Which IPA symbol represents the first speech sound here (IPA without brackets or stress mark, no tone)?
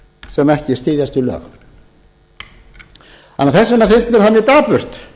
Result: s